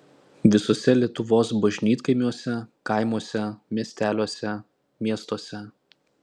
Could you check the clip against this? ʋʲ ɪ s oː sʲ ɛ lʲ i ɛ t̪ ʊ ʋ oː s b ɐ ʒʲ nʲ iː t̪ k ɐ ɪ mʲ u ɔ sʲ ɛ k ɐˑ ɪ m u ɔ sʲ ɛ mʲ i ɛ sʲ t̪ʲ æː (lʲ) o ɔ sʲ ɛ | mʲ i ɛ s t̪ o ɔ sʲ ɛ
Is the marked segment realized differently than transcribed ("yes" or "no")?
no